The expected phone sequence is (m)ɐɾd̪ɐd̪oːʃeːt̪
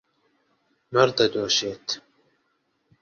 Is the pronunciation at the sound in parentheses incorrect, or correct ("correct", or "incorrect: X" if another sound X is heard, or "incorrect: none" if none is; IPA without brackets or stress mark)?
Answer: correct